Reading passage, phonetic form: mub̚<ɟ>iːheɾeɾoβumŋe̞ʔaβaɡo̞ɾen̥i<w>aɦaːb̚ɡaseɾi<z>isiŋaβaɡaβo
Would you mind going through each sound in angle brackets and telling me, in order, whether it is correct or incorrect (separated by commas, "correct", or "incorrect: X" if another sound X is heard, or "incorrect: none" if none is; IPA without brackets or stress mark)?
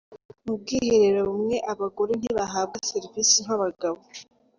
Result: incorrect: ɡ, incorrect: β, incorrect: v